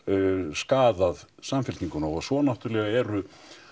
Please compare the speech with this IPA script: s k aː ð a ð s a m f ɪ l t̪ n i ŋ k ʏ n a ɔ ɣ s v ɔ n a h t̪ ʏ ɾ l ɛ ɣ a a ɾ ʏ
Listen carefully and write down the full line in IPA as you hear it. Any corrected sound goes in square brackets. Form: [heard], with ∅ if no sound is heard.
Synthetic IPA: s k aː ð a ð s a m f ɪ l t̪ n i ŋ k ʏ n a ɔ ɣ s v ɔ n a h t̪ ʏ ɾ l ɛ ɣ a [ɛ] ɾ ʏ